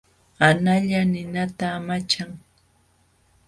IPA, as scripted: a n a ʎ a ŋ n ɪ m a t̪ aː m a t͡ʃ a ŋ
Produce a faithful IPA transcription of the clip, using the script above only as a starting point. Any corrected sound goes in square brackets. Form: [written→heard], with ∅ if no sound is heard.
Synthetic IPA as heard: a n a ʎ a [ŋ→∅] n ɪ [m→n] a t̪ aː m a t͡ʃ a ŋ